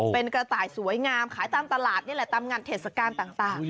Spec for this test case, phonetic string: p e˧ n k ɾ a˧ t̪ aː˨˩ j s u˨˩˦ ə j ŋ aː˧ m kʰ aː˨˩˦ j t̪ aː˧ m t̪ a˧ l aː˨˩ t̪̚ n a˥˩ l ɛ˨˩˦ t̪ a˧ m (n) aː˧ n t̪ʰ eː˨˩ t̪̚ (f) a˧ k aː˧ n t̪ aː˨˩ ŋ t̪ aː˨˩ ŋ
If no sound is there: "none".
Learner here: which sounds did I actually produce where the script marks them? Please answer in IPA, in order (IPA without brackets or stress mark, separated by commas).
ŋ, s